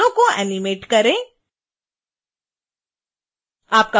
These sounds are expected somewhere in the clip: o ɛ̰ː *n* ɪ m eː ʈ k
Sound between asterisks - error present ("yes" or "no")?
no